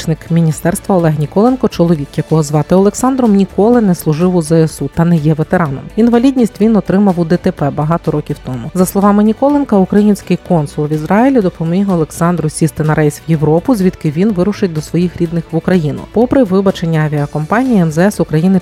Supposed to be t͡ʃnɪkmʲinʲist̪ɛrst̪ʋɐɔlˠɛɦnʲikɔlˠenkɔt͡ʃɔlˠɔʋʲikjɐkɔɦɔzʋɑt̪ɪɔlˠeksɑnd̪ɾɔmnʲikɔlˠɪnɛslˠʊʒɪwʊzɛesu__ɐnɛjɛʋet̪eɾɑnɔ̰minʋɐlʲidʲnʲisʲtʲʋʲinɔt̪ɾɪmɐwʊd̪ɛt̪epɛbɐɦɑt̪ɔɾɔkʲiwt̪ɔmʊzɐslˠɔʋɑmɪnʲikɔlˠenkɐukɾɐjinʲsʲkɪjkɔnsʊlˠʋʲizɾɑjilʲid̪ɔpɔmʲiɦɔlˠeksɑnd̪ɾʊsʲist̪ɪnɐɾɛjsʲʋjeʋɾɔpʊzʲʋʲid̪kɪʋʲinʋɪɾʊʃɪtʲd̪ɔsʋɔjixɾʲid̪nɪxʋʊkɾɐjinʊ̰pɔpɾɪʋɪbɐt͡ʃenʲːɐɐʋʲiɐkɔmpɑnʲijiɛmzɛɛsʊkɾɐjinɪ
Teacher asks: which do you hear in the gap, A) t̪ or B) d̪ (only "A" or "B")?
A